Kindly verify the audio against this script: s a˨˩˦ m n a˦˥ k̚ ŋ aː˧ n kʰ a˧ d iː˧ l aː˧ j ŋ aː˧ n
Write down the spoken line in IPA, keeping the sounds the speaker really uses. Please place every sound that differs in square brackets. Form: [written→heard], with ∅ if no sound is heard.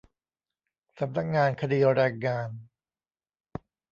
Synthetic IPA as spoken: s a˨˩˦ m n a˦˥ k̚ ŋ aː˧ n kʰ a˧ d iː˧ [l→ɾ] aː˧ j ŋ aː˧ n